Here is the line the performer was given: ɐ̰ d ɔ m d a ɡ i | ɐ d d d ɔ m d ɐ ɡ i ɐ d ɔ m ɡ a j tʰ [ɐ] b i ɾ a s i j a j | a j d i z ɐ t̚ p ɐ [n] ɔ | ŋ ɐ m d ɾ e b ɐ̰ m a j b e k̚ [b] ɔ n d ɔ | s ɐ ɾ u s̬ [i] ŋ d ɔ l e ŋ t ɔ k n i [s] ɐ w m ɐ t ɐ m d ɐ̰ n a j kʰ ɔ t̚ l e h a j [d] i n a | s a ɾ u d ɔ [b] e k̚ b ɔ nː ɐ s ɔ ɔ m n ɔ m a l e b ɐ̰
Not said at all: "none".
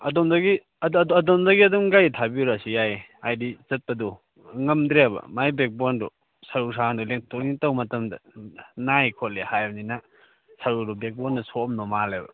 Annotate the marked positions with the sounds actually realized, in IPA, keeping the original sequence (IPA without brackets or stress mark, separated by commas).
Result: a, d, b, a, t, n, b